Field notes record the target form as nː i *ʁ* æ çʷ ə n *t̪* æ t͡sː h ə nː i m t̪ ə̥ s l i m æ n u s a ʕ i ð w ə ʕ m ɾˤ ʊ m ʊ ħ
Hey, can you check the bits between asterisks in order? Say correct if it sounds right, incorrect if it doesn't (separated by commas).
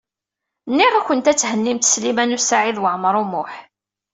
correct, correct